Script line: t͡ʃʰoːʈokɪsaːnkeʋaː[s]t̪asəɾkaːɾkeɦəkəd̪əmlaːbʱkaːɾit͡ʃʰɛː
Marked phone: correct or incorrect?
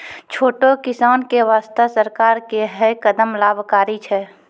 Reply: correct